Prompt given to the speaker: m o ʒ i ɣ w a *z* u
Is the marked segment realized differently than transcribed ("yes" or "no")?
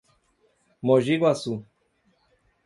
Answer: yes